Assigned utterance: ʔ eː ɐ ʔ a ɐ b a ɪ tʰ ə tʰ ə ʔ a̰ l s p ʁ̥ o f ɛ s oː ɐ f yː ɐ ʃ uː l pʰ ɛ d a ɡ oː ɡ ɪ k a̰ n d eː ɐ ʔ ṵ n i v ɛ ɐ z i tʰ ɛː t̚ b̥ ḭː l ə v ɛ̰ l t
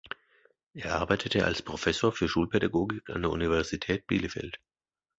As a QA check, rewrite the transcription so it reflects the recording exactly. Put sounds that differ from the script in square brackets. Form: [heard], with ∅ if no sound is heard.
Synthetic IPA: ʔ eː ɐ ʔ a ɐ b a ɪ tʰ ə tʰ ə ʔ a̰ l s p ʁ̥ o f ɛ s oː ɐ f yː ɐ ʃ uː l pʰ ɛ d a ɡ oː ɡ ɪ k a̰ n d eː ɐ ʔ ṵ n i v ɛ ɐ z i tʰ ɛː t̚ b̥ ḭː l ə [f] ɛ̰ l t